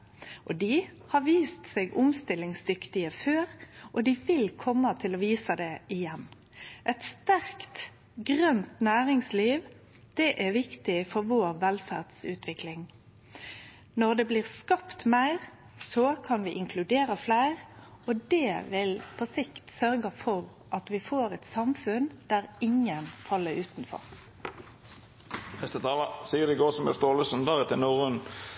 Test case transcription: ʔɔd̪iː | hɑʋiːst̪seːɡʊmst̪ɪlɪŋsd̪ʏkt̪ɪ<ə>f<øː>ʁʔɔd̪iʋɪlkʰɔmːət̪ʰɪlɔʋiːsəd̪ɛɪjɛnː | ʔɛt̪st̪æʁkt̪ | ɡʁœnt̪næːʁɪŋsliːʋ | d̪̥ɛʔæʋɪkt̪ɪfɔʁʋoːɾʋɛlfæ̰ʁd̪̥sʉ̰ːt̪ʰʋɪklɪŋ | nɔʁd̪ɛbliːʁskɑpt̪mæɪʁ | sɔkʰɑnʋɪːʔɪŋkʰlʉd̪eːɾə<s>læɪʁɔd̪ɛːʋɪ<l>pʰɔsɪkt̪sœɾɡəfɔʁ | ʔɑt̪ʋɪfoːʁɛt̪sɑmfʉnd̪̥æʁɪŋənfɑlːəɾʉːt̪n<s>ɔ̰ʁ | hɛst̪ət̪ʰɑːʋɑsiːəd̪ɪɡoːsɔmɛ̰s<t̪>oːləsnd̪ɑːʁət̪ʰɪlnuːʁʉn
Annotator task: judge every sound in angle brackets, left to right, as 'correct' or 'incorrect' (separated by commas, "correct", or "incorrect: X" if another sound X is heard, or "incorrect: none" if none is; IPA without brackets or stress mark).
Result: correct, correct, incorrect: f, correct, incorrect: f, correct